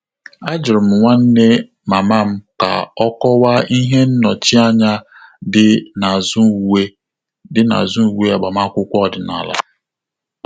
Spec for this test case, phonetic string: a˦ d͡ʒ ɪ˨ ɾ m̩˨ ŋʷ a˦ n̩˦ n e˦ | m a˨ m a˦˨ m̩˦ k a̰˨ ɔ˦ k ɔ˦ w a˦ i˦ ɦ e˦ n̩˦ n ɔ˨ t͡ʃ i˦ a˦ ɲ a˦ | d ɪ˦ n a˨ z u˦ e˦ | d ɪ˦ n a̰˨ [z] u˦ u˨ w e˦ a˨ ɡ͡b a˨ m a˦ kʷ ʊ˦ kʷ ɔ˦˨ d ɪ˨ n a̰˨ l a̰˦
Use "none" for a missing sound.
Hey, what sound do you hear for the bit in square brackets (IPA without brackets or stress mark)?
z